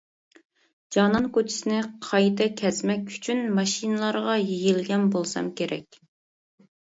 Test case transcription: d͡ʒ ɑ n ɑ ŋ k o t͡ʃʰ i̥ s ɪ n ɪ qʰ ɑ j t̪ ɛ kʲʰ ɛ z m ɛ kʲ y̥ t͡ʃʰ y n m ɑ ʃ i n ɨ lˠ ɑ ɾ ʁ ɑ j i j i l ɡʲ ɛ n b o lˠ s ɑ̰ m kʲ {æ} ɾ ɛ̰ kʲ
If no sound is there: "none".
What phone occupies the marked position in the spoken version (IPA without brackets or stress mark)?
e